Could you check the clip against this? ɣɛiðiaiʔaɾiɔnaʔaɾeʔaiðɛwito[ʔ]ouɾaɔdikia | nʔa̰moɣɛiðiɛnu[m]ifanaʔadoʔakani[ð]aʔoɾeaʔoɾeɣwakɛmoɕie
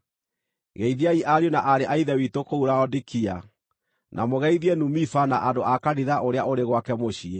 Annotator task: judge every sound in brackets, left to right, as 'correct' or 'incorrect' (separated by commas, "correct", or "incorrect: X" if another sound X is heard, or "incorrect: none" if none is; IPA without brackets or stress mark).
incorrect: k, correct, correct